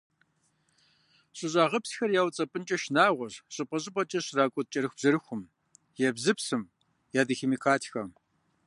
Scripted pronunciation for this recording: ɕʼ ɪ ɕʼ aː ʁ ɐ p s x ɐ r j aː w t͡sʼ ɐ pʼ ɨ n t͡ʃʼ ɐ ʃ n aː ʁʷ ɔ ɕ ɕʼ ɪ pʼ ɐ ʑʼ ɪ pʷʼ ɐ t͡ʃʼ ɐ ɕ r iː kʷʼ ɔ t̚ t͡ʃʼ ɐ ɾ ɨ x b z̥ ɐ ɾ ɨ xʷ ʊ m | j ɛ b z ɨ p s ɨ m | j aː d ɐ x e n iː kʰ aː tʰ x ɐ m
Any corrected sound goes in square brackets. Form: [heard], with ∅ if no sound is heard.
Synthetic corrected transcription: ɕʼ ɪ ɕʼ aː ʁ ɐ p s x ɐ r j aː w t͡sʼ ɐ pʼ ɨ n t͡ʃʼ ɐ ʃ n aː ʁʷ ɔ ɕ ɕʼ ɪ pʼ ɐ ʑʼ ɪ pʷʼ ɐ t͡ʃʼ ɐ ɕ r [aː] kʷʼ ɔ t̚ t͡ʃʼ ɐ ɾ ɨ x b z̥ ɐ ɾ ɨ xʷ ʊ m | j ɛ b z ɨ p s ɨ m | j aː d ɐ x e [m] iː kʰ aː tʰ x ɐ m